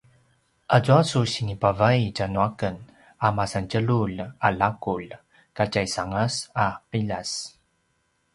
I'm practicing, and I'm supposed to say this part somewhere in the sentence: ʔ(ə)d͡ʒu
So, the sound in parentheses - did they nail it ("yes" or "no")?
no